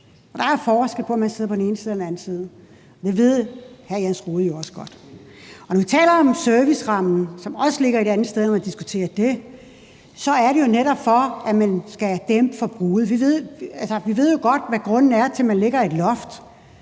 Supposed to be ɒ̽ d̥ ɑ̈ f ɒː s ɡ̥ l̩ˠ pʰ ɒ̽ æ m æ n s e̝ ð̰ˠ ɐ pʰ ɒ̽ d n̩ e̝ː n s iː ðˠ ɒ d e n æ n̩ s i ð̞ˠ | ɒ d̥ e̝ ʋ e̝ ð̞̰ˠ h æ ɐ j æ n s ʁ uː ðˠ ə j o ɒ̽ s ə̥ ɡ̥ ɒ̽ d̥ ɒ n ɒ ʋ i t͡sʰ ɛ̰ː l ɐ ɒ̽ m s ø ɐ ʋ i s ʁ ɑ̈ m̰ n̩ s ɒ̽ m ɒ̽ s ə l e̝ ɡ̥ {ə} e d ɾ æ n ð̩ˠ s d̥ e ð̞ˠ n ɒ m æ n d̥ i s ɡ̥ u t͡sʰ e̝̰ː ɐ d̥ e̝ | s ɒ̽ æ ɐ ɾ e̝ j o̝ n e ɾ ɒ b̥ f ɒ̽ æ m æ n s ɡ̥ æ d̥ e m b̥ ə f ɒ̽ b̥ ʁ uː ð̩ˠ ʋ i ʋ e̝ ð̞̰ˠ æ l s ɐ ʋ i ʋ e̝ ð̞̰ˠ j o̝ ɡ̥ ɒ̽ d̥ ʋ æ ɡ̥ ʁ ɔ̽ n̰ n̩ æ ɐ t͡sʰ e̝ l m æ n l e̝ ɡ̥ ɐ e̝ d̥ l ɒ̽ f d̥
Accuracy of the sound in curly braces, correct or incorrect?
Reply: incorrect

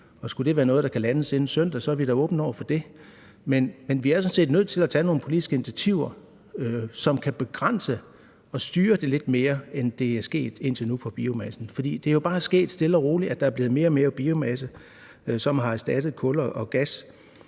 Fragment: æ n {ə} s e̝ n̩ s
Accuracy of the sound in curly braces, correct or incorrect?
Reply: correct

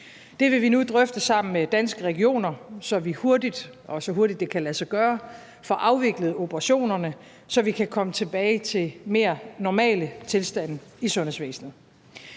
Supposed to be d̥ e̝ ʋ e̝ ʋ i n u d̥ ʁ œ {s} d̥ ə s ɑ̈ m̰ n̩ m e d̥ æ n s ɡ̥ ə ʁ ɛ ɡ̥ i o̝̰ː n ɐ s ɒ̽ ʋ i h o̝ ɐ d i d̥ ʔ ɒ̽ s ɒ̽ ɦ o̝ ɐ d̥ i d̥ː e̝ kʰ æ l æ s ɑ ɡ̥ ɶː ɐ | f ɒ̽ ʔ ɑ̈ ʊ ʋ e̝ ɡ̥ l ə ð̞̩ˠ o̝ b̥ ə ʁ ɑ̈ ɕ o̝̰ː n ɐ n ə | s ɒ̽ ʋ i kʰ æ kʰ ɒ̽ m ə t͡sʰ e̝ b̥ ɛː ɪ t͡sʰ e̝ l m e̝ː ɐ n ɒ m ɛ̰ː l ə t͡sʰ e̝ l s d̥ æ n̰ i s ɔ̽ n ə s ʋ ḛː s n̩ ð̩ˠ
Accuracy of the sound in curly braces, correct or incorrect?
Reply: incorrect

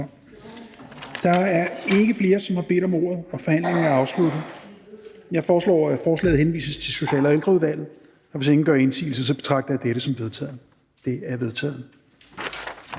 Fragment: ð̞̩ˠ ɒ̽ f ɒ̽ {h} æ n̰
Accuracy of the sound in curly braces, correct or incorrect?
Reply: correct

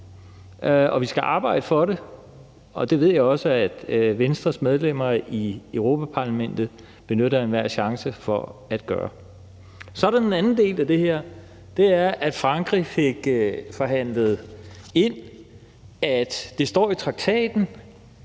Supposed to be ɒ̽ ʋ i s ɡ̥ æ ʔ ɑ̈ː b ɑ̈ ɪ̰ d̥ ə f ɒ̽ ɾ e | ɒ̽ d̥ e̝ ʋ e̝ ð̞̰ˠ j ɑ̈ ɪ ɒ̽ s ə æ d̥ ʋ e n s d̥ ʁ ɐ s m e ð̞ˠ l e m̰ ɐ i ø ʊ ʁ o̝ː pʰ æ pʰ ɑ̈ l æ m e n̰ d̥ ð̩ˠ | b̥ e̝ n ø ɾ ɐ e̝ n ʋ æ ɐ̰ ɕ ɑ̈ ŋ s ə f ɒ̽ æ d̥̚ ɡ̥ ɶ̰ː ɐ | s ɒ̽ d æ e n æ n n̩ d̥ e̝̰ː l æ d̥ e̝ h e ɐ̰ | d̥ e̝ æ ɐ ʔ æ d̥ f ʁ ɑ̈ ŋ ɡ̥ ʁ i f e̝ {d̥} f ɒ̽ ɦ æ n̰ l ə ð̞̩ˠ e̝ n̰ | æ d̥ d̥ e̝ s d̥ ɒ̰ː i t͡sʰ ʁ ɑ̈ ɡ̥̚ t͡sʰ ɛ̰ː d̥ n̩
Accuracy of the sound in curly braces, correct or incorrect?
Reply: incorrect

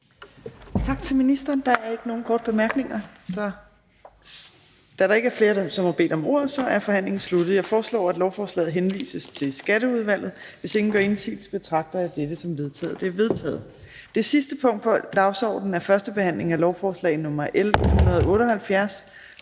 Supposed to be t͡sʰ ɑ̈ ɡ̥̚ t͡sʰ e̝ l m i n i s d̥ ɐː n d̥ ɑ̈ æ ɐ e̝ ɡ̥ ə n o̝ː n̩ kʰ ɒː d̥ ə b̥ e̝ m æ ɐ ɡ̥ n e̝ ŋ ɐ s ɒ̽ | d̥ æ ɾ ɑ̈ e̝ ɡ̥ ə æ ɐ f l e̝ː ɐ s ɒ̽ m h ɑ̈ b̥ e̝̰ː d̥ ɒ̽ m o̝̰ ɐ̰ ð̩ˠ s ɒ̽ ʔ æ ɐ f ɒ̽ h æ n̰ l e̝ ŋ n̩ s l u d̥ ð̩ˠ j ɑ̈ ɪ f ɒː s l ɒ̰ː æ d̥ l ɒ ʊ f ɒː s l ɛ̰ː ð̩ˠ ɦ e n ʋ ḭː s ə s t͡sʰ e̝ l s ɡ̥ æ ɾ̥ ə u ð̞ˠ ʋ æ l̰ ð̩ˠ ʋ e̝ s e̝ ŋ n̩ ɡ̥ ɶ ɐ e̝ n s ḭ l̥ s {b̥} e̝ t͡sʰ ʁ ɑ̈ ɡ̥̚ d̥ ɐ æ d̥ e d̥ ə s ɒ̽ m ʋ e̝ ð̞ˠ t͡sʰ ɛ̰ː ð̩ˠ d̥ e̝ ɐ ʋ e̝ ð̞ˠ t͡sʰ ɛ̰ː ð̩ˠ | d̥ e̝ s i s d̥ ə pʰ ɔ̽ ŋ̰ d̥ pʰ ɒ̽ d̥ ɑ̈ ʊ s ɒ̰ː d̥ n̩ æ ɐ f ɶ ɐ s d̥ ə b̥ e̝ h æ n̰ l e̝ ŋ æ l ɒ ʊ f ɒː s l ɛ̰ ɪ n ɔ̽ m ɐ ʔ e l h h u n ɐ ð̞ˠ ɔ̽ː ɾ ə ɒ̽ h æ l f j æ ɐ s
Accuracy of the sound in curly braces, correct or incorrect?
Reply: correct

